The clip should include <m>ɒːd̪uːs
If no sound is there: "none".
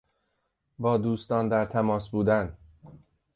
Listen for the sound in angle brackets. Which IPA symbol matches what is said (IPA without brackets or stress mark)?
b